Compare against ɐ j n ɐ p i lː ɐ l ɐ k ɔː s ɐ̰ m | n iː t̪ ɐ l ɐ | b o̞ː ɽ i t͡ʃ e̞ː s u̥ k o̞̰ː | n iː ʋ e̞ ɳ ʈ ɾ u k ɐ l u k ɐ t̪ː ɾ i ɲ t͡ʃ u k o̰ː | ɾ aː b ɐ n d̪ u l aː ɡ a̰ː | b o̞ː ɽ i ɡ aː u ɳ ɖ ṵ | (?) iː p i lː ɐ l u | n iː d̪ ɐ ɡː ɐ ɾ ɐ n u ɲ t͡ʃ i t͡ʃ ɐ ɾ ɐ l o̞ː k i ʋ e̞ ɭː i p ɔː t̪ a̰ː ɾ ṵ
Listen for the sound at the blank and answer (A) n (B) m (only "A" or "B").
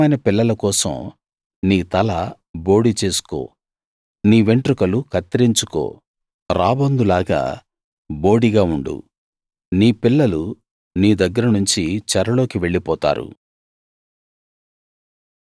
A